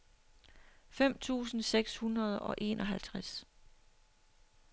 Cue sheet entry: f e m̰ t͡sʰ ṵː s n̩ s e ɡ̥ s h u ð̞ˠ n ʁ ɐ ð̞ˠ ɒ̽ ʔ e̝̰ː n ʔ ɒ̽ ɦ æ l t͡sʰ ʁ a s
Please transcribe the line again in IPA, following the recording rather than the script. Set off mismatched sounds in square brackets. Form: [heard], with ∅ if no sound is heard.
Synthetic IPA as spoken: f e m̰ t͡sʰ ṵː s n̩ s e ɡ̥ s h u [∅] n ʁ ɐ ð̞ˠ ɒ̽ ʔ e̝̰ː n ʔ ɒ̽ ɦ æ l t͡sʰ ʁ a s